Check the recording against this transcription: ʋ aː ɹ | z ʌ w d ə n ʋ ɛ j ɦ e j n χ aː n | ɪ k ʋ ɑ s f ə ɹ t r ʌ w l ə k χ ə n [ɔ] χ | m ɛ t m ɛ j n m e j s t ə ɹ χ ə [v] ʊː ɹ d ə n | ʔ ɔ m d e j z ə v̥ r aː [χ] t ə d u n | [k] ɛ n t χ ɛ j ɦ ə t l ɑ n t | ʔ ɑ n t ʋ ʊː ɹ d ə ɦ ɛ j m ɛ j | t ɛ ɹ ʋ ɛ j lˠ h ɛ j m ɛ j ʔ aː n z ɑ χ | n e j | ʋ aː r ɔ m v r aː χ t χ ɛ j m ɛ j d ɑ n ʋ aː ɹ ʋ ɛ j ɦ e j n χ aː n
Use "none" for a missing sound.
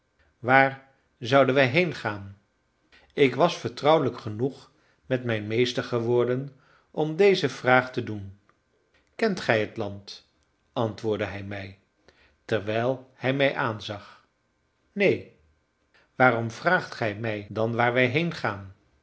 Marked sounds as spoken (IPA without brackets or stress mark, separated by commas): u, ʋ, χ, k